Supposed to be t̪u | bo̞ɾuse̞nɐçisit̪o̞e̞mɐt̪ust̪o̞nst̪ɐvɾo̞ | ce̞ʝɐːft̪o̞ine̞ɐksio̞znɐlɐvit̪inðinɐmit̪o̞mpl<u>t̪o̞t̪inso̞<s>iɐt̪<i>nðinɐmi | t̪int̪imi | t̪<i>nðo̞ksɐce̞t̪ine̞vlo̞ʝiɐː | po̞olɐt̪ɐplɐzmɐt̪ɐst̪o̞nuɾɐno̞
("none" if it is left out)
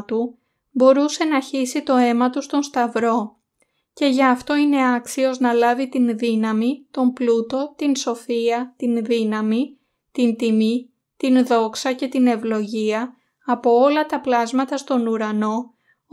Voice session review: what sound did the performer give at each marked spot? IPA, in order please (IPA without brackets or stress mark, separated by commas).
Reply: u, f, i, i